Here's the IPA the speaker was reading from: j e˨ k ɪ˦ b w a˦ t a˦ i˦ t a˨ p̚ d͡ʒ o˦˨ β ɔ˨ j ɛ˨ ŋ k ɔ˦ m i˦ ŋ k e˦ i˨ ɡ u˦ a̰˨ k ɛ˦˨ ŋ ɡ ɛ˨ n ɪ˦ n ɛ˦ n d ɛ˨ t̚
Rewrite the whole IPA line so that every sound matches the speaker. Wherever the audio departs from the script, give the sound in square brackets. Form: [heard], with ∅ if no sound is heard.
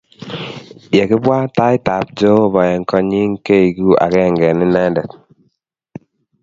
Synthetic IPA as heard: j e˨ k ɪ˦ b w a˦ t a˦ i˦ t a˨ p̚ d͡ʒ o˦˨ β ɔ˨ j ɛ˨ ŋ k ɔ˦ [ɲ] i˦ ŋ k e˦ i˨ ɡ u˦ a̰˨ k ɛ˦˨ ŋ ɡ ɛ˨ n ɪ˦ n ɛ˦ n d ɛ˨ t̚